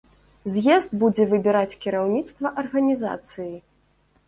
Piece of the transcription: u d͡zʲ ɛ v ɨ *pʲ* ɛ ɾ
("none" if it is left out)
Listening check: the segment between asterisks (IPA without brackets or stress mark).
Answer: bʲ